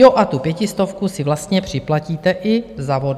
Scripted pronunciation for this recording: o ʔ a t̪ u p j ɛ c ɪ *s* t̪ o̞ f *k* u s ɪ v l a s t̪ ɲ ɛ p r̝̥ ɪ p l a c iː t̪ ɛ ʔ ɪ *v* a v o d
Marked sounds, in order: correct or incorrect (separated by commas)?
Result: correct, correct, incorrect